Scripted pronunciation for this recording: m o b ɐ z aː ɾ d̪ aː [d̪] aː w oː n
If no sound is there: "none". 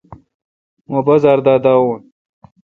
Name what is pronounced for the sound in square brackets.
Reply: d̪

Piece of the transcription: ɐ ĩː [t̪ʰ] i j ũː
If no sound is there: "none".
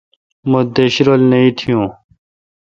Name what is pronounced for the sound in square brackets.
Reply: t̪ʰ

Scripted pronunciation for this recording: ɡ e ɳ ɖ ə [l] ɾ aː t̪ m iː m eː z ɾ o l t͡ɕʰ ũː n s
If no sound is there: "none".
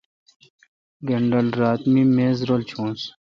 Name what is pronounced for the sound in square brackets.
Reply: l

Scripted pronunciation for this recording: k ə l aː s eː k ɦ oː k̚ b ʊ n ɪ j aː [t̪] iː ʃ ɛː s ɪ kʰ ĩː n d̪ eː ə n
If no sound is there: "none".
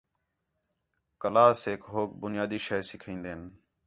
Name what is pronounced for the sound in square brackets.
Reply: d̪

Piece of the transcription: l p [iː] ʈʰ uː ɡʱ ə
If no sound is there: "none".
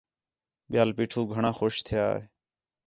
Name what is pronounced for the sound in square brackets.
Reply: iː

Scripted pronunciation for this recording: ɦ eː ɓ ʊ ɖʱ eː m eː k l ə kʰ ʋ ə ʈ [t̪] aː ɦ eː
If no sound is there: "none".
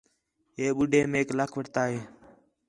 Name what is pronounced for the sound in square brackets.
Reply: t̪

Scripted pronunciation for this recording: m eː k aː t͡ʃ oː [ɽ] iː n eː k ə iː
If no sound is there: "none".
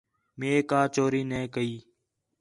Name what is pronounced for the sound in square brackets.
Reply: ɾ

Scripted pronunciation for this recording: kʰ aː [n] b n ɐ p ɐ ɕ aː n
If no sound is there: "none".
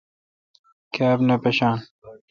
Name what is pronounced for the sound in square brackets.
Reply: none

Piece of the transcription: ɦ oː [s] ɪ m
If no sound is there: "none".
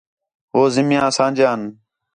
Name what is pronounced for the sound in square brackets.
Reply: z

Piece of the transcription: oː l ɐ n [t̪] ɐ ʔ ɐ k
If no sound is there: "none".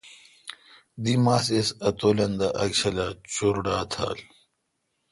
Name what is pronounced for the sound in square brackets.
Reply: d̪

